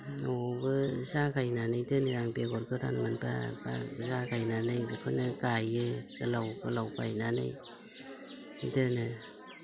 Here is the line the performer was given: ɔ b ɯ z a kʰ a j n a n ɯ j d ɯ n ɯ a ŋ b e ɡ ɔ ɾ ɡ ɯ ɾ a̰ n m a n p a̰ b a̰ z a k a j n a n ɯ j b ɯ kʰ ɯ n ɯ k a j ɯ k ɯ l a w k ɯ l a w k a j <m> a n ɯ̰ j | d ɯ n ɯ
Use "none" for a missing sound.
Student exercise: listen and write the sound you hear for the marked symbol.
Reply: n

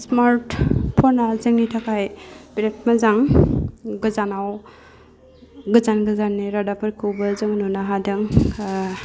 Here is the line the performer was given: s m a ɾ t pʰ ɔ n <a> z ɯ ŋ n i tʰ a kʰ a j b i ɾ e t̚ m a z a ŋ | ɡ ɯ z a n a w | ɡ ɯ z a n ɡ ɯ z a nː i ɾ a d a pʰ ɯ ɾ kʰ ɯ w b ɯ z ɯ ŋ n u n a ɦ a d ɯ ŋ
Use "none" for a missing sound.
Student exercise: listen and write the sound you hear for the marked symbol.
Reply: a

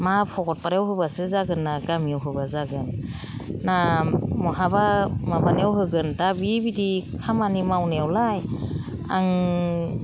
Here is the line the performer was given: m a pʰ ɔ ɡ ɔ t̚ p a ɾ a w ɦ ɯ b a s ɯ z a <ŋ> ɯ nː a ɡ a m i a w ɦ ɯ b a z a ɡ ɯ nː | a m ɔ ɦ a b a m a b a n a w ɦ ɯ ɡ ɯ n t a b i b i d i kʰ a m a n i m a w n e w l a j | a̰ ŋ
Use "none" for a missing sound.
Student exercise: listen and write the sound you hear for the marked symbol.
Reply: ɡ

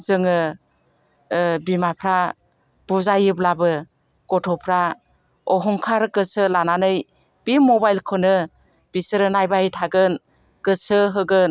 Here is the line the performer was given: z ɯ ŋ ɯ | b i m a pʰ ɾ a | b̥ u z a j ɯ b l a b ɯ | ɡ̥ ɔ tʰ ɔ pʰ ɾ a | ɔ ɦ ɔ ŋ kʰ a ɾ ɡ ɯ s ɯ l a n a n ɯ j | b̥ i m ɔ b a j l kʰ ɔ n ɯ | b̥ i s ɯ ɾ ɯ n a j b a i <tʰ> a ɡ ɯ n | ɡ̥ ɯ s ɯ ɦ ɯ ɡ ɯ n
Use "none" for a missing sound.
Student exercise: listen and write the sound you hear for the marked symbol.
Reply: tʰ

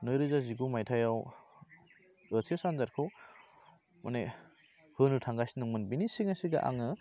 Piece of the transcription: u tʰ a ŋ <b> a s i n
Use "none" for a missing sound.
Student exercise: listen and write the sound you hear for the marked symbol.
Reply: ɡ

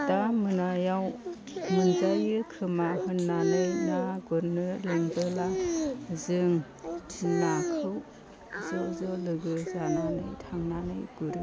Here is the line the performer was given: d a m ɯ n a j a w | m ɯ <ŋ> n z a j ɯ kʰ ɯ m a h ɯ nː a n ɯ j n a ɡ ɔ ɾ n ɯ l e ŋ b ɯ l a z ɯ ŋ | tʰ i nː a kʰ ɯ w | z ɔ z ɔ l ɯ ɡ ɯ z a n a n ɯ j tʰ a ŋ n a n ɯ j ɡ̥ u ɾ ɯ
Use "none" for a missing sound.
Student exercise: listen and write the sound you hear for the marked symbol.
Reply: none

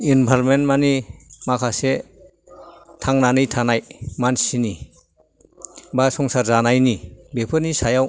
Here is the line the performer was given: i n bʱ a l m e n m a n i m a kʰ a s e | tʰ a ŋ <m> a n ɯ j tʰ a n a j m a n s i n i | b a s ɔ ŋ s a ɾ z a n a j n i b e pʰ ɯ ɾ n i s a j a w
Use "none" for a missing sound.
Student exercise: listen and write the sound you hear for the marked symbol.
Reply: n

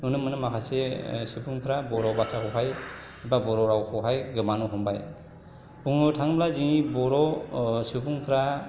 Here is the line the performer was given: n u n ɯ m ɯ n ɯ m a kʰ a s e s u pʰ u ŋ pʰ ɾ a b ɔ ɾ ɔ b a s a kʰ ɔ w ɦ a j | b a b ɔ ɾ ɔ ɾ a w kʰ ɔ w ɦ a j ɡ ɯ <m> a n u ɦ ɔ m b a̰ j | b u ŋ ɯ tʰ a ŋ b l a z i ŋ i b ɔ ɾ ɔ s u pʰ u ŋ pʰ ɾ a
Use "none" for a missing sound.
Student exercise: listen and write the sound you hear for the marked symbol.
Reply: m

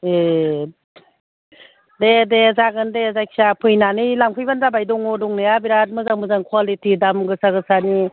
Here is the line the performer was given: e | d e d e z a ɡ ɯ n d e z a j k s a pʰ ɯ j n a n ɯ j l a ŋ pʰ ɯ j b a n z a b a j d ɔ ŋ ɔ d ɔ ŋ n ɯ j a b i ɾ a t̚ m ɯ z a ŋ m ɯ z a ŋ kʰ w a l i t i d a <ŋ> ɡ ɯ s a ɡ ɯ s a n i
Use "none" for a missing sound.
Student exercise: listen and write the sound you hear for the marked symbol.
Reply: m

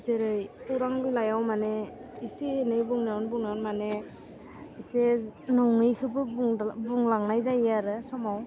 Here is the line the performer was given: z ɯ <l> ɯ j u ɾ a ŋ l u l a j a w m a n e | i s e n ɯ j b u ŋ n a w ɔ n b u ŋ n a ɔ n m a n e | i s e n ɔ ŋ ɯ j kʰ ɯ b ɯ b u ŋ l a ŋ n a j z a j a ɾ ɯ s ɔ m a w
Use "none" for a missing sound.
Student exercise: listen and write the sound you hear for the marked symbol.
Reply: ɾ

